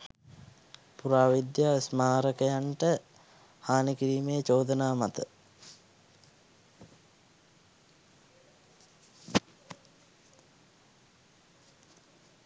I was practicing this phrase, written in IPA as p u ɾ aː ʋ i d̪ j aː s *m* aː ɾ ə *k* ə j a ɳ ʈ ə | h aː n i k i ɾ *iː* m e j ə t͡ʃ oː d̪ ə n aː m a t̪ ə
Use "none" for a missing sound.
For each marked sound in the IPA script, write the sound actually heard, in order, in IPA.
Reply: m, k, iː

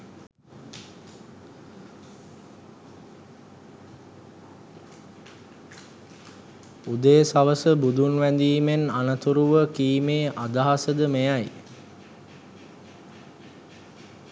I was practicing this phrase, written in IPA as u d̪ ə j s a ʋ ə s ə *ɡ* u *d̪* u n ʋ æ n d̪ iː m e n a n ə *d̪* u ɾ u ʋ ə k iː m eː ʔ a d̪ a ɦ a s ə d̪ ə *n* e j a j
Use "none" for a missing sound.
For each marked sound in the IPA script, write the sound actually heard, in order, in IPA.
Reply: b, d̪, t̪, m

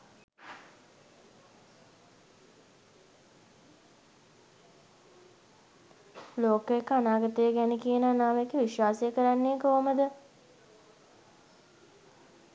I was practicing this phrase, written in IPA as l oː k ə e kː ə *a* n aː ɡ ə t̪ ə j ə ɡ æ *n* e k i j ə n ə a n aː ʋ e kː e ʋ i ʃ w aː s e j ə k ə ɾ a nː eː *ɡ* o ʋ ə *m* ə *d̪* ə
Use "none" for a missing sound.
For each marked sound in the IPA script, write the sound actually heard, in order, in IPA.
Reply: a, n, k, m, d̪

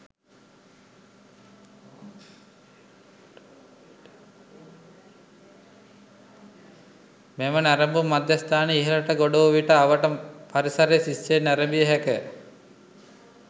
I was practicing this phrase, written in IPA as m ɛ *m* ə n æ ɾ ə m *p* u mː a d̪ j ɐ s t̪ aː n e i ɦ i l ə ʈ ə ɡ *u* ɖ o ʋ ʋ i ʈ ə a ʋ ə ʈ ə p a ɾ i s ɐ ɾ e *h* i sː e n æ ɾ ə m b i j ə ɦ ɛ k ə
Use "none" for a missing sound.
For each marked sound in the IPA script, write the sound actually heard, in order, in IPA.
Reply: m, b, o, s

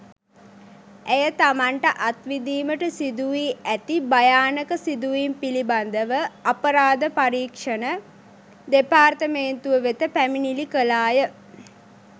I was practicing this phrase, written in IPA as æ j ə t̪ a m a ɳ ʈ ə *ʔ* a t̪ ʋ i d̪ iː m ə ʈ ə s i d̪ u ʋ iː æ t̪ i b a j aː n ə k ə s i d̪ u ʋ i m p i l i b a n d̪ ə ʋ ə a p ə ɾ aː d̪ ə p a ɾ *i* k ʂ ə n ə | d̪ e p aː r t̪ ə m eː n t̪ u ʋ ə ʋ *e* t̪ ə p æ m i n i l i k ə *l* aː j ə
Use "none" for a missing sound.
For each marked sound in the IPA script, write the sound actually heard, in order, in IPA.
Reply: ʔ, iː, e, l

